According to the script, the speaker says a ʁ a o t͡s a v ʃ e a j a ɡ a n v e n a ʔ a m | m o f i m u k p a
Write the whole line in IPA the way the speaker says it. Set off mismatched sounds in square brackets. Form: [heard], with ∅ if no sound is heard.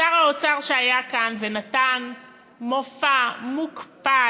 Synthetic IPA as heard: a ʁ a o t͡s a [ʁ] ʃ e a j a [k] a n v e n a [t] a [n] | m o f [a] m u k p a